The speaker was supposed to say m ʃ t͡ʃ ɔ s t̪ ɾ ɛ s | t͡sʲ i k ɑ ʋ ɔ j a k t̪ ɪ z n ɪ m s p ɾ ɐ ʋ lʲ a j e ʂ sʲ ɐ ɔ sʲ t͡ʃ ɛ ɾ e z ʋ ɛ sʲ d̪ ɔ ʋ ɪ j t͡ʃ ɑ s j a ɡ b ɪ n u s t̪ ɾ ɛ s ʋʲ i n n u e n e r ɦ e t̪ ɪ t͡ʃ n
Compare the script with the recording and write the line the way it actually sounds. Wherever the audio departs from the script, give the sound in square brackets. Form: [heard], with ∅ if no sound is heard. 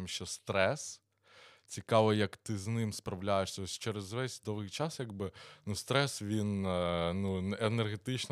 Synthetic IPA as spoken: m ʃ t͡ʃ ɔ s t̪ ɾ ɛ s | t͡sʲ i k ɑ ʋ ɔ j [ɐ] k t̪ ɪ z n ɪ m s p ɾ ɐ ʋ lʲ a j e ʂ sʲ ɐ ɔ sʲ t͡ʃ ɛ ɾ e z ʋ ɛ sʲ d̪ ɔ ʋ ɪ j t͡ʃ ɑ s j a ɡ b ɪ n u s t̪ ɾ ɛ s ʋʲ i n n u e n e r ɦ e t̪ ɪ t͡ʃ n